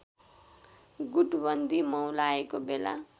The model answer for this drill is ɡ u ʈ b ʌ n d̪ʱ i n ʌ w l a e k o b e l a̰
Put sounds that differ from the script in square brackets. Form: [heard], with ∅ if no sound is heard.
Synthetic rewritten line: ɡ u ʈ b ʌ n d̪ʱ i [m] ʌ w l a e k o b e l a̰